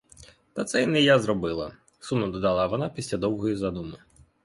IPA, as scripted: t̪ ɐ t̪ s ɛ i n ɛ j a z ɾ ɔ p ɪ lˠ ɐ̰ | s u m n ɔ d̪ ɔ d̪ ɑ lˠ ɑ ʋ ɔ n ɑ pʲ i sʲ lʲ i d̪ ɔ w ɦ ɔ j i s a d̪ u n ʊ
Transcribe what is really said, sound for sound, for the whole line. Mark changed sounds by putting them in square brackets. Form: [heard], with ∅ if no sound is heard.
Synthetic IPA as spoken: t̪ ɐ t̪ s ɛ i n ɛ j a z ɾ ɔ [b] ɪ lˠ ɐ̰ | s u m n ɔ d̪ ɔ d̪ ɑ lˠ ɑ ʋ ɔ n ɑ pʲ i sʲ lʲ [a] d̪ ɔ w ɦ ɔ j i [z] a d̪ u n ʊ